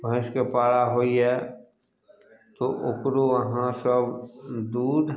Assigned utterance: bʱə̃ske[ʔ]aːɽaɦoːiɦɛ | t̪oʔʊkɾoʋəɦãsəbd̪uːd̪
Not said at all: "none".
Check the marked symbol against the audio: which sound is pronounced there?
p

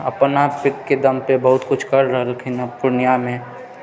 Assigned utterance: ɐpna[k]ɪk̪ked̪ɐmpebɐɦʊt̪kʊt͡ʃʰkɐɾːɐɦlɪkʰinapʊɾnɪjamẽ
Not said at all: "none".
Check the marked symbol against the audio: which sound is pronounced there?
p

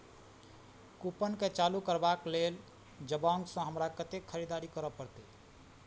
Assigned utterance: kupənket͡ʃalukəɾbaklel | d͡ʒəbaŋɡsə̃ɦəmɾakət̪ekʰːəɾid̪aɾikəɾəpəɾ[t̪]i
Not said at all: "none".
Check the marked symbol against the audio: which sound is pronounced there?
t̪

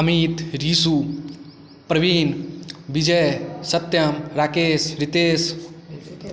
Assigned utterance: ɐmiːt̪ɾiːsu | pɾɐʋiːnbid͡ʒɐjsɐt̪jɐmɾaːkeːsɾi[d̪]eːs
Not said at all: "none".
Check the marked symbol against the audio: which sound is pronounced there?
t̪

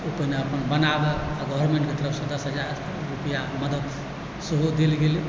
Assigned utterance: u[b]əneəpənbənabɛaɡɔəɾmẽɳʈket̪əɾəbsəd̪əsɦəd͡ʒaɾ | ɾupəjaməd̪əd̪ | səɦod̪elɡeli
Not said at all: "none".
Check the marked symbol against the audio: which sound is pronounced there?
p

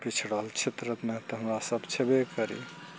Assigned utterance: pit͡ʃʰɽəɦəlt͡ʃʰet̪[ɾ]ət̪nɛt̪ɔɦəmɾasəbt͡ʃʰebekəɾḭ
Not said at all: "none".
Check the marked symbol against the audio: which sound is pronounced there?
ɾ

